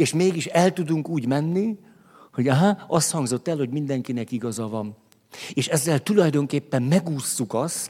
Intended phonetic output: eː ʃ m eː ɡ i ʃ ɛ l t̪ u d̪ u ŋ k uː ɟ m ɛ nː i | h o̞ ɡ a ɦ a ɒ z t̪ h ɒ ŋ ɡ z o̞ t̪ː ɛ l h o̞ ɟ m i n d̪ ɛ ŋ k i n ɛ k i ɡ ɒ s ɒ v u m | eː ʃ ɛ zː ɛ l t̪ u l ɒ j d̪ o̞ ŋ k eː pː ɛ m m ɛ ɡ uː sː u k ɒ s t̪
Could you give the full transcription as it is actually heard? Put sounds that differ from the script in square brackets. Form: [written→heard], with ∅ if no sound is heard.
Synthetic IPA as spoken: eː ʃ m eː ɡ i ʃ ɛ l t̪ u d̪ u ŋ k uː ɟ m ɛ nː i | h o̞ [ɡ→ɟ] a ɦ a ɒ [z→s] t̪ h ɒ ŋ ɡ z o̞ t̪ː ɛ l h o̞ ɟ m i n d̪ ɛ ŋ k i n ɛ k i ɡ ɒ [s→z] ɒ v [u→ɒ] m | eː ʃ ɛ zː ɛ l t̪ u l ɒ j d̪ o̞ ŋ k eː pː ɛ m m ɛ ɡ uː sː u k ɒ s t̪